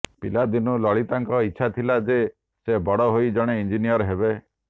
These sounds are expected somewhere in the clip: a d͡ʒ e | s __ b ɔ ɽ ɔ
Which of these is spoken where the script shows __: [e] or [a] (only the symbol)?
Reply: e